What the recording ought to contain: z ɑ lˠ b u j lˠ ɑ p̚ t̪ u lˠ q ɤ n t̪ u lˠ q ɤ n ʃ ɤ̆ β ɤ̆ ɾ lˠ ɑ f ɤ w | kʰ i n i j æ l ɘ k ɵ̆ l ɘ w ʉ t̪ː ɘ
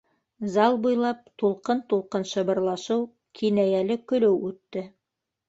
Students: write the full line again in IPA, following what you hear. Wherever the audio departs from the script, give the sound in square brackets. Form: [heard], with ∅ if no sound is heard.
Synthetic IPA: z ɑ lˠ b u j lˠ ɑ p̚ t̪ u lˠ q ɤ n t̪ u lˠ q ɤ n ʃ ɤ̆ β ɤ̆ ɾ lˠ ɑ [ʃ] ɤ w | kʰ i n [æ] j æ l ɘ k ɵ̆ l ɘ w ʉ t̪ː ɘ